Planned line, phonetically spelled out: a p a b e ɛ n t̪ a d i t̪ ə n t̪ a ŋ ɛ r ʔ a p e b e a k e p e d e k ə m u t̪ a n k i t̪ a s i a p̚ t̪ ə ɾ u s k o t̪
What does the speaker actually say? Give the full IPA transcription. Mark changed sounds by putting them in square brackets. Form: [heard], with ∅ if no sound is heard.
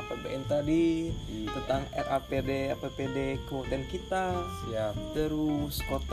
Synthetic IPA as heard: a p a b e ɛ n t̪ a d i t̪ ə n t̪ a ŋ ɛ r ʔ a p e [d] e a [p] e p e d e k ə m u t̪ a n k i t̪ a s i a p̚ t̪ ə ɾ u s k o t̪